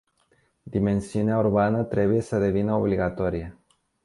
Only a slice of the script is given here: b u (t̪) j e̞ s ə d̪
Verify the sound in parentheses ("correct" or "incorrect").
incorrect